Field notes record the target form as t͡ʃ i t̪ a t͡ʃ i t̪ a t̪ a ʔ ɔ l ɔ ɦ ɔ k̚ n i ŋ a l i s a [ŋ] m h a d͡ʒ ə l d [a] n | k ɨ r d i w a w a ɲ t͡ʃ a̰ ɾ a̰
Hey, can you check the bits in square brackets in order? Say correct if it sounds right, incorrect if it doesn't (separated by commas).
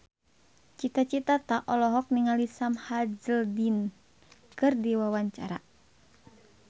incorrect, incorrect